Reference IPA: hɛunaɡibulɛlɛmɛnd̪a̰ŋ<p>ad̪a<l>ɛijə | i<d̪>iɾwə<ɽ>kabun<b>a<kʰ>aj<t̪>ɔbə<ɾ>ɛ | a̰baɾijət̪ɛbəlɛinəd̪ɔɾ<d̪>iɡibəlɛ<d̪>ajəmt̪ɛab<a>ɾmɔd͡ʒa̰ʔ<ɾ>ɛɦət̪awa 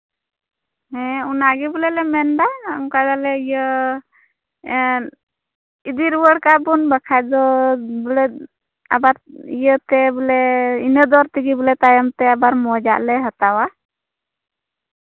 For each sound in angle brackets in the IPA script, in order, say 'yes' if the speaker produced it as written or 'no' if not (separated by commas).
no, yes, yes, yes, yes, yes, no, no, no, no, yes, no